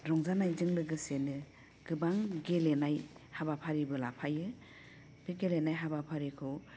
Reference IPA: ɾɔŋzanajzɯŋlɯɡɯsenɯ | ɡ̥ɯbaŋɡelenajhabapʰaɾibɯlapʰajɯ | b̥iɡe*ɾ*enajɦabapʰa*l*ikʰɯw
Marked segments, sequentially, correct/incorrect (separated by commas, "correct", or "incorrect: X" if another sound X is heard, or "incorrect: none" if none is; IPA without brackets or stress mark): incorrect: l, incorrect: ɾ